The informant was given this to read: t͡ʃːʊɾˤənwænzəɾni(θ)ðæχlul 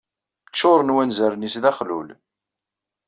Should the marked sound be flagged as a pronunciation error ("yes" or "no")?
yes